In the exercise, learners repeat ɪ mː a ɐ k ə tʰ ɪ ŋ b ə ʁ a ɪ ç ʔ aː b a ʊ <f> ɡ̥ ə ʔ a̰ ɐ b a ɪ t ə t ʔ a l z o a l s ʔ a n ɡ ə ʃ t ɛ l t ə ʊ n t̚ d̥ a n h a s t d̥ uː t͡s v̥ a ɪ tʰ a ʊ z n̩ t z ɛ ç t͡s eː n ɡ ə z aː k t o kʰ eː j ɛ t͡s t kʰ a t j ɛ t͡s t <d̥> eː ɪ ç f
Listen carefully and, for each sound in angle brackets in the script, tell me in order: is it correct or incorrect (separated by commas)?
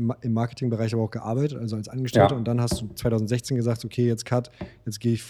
incorrect, incorrect